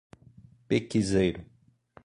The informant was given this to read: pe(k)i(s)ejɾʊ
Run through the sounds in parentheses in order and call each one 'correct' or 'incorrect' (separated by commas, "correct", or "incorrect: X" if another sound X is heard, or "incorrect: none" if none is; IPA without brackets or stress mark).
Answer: correct, incorrect: z